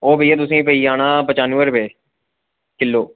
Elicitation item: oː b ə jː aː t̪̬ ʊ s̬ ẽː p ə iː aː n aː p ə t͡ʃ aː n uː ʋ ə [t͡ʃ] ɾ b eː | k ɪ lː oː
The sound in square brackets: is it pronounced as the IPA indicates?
no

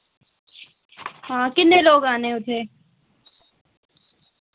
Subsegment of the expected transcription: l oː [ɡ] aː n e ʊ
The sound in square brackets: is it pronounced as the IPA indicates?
yes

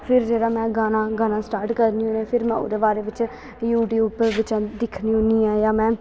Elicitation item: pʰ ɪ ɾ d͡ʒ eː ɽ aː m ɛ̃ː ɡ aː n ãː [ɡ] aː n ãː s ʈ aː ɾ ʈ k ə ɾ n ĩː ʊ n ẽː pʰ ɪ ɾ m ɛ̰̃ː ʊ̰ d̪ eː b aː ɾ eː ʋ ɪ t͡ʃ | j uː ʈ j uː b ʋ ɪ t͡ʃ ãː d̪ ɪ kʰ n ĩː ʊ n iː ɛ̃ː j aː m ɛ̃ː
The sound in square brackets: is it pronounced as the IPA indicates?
yes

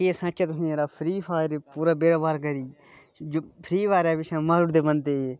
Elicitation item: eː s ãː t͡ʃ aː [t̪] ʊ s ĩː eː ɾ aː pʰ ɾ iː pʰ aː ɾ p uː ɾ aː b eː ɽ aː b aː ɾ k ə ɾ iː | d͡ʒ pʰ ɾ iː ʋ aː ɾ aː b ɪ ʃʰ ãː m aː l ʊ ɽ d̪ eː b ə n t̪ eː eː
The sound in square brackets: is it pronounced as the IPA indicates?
yes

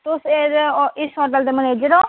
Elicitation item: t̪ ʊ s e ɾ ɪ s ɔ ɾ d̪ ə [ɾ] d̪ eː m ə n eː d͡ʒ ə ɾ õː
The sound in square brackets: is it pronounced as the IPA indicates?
no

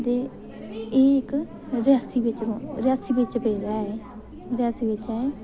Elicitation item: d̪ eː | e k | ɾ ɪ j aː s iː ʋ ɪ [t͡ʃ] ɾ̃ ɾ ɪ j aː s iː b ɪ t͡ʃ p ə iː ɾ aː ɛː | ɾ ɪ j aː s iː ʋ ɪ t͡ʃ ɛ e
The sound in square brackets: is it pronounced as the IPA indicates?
yes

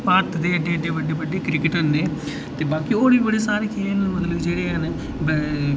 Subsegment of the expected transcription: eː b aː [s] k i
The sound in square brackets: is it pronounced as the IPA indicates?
no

